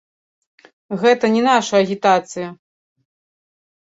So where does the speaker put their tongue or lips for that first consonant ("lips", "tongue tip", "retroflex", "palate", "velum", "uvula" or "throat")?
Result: velum